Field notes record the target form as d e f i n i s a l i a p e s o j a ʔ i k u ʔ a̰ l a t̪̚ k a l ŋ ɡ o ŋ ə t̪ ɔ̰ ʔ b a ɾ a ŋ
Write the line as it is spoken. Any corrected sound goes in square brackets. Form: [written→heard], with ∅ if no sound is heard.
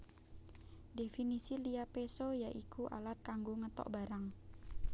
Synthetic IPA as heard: d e f i n i s [a→i] l i a p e s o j a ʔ i k u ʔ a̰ l a t̪̚ k a [l→∅] ŋ ɡ o ŋ ə t̪ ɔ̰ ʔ b a ɾ a ŋ